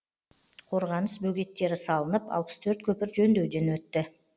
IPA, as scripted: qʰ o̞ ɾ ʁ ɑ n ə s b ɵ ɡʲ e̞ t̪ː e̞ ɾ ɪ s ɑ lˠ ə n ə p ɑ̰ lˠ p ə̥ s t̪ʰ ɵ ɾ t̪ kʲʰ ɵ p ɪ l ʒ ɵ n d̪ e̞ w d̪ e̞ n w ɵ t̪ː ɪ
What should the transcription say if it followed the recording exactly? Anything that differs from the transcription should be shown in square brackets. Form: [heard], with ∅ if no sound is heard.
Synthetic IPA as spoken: qʰ o̞ ɾ ʁ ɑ n ə s b ɵ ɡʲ e̞ t̪ː e̞ ɾ ɪ s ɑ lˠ ə n ə p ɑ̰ lˠ p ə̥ s t̪ʰ ɵ ɾ t̪ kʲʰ ɵ p ɪ [ɾ] ʒ ɵ n d̪ e̞ w d̪ e̞ n w ɵ t̪ː ɪ

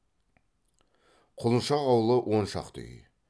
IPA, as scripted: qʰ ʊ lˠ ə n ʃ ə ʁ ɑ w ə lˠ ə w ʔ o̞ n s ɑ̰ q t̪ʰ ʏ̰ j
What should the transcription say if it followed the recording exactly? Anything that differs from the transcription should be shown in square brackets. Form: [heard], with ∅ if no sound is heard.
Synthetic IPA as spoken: qʰ ʊ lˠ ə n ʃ [ɑ] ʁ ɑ w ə lˠ ə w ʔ o̞ n [ʃ] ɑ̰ q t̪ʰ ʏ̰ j

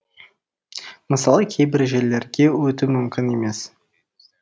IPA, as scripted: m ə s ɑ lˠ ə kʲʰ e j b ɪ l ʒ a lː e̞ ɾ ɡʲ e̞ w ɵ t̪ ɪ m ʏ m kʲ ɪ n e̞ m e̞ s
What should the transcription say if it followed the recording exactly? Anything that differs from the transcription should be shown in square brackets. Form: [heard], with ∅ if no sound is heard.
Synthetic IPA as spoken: m ə s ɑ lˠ ə kʲʰ e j b ɪ [ɾ] ʒ [e] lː e̞ ɾ ɡʲ e̞ w ɵ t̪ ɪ m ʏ m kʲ ɪ n e̞ m e̞ s

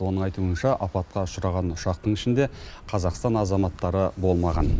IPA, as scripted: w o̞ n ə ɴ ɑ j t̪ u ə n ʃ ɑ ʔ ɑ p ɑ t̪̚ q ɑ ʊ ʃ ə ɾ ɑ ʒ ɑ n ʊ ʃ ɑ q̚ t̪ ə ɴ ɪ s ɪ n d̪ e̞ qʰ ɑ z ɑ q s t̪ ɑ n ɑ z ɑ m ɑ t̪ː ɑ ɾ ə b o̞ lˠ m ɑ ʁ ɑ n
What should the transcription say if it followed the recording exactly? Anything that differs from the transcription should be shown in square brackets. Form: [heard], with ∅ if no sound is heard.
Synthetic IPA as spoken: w o̞ n ə ɴ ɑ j t̪ u ə n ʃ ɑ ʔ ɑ p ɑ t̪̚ q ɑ ʊ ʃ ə ɾ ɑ [ʁ] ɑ n ʊ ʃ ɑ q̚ t̪ ə ɴ ɪ [ʃ] ɪ n d̪ e̞ qʰ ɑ z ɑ q s t̪ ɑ n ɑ z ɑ m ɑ t̪ː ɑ ɾ ə b o̞ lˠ m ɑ ʁ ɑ n

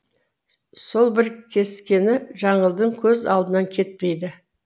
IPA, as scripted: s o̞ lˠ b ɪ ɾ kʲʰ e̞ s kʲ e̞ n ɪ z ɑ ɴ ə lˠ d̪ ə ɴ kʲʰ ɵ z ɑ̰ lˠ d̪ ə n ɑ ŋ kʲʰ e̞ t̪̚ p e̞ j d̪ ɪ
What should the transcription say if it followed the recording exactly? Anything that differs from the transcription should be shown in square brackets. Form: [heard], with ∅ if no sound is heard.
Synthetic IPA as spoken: s o̞ lˠ b ɪ ɾ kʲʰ e̞ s kʲ e̞ n ɪ [ʒ] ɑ ɴ ə lˠ d̪ ə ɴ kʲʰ ɵ z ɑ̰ lˠ d̪ ə n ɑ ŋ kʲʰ e̞ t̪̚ p e̞ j d̪ ɪ

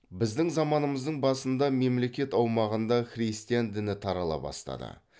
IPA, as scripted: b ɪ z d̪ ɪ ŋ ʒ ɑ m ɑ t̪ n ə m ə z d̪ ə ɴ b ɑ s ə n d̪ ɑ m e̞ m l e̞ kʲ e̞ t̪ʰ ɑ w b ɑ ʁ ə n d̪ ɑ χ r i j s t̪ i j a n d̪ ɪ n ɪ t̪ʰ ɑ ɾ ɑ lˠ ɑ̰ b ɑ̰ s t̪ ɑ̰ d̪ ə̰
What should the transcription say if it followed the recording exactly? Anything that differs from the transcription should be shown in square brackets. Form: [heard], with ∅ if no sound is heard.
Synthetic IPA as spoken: b ɪ z d̪ ɪ ŋ [z] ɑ m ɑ [∅] n ə m ə z d̪ ə ɴ b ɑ s ə n d̪ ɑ m e̞ m l e̞ kʲ e̞ [t̪] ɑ w [m] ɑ ʁ ə n d̪ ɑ χ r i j s t̪ i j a n d̪ ɪ n ɪ t̪ʰ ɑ ɾ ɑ lˠ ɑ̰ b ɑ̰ s t̪ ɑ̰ d̪ ə̰

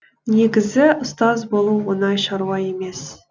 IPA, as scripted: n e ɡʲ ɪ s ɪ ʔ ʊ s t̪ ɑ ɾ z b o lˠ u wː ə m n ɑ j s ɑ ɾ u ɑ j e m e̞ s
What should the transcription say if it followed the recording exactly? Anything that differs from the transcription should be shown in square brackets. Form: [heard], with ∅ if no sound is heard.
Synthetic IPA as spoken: n e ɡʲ ɪ [z] ɪ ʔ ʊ s t̪ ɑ [∅] z b o lˠ u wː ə [∅] n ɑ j [ʃ] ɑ ɾ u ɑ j e m e̞ s

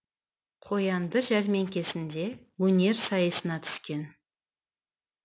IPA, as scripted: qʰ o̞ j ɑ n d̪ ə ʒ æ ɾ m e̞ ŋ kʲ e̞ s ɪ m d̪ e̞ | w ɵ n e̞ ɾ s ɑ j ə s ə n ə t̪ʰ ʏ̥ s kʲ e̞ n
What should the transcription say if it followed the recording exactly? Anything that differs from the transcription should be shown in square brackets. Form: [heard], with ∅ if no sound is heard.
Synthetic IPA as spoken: qʰ o̞ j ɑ n d̪ ə ʒ æ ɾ m e̞ ŋ kʲ e̞ s ɪ [n] d̪ e̞ | w ɵ n e̞ ɾ s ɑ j ə s ə n [ɑ] t̪ʰ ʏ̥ s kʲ e̞ n

